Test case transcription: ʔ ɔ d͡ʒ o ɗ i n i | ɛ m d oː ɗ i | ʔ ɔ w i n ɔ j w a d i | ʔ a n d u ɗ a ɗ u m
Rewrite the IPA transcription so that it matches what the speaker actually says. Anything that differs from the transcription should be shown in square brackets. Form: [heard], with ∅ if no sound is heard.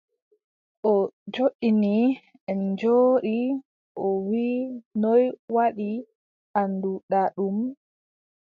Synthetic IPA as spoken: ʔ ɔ d͡ʒ o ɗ i n i | ɛ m [d͡ʒ] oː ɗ i | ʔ ɔ w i n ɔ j w a [ɗ] i | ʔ a n d u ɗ a ɗ u m